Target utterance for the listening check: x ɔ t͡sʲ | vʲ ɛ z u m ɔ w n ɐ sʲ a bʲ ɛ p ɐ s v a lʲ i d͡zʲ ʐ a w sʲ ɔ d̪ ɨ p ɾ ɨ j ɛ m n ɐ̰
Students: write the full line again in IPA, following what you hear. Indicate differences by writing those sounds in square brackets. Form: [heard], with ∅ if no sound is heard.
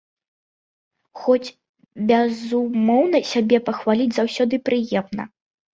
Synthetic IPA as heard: x ɔ t͡sʲ | [bʲ] ɛ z u m ɔ w n ɐ sʲ a bʲ ɛ p ɐ [x] v a lʲ i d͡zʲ [z] a w sʲ ɔ d̪ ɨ p ɾ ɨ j ɛ m n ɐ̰